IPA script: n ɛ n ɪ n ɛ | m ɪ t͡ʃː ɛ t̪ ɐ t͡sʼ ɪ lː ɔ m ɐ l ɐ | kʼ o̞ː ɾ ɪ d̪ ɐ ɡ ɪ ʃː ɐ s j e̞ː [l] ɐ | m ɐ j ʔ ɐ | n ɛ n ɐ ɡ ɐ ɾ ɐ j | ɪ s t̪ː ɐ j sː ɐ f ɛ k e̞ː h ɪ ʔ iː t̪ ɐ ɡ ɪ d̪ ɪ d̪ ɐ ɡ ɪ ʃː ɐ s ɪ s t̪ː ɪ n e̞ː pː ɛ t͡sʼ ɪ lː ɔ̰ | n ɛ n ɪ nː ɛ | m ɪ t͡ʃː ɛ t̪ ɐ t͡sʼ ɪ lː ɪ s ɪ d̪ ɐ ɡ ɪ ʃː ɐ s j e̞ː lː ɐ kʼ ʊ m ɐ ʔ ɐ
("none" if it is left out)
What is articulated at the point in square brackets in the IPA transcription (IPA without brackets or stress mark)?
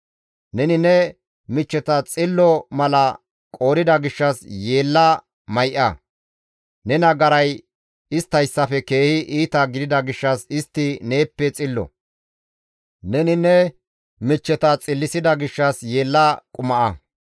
lː